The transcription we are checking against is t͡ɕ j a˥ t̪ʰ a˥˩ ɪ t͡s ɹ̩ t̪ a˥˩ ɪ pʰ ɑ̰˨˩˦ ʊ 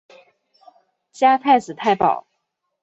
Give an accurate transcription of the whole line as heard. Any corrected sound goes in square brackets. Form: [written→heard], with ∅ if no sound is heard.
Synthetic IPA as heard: t͡ɕ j a˥ t̪ʰ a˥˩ ɪ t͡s ɹ̩ [t̪→t̪ʰ] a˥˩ ɪ [pʰ→p] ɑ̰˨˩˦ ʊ